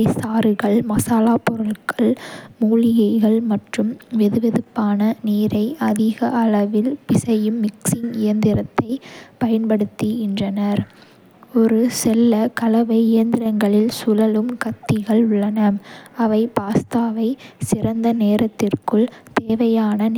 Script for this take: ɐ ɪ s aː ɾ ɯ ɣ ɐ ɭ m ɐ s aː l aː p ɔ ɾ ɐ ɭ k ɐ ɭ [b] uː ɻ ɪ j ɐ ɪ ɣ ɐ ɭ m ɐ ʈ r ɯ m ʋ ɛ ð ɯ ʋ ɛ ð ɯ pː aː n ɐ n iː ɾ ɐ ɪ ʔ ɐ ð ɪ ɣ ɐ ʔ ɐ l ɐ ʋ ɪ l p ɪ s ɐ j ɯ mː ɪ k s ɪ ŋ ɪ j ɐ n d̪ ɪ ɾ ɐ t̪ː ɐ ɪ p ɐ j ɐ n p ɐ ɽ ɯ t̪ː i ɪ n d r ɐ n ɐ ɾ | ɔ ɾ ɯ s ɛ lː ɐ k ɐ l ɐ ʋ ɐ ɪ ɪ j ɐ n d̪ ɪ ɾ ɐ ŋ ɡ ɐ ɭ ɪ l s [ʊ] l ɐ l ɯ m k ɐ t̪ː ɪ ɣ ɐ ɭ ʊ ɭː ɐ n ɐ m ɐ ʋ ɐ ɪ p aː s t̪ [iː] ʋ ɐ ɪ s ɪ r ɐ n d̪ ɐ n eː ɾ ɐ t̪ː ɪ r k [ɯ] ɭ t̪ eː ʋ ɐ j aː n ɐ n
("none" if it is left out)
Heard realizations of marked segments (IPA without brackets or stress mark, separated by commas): m, ʊ, aː, ɯ